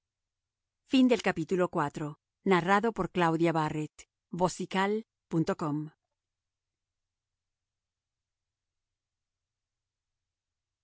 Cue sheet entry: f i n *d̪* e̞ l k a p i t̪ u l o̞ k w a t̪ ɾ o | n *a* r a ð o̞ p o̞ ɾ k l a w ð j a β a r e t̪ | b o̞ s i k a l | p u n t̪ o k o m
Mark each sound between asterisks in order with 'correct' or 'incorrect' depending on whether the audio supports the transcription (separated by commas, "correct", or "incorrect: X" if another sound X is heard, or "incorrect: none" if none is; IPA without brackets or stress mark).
correct, correct